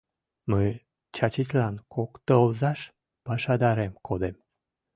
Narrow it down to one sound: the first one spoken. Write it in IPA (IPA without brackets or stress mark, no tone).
m